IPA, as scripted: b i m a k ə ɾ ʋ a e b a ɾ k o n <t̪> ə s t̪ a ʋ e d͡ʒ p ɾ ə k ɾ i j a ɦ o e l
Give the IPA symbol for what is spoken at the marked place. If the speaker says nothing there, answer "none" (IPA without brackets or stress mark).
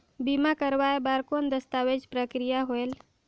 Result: d̪